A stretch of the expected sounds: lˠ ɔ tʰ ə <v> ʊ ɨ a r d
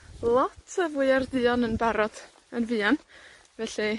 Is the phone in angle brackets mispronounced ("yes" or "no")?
no